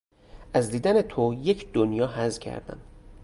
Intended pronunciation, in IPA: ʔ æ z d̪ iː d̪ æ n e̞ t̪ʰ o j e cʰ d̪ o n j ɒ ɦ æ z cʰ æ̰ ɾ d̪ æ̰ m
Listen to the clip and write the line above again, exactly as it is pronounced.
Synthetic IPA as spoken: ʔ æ z d̪ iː d̪ æ n e̞ t̪ʰ o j e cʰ d̪ o n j ɒː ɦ æ z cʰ æ̰ ɾ d̪ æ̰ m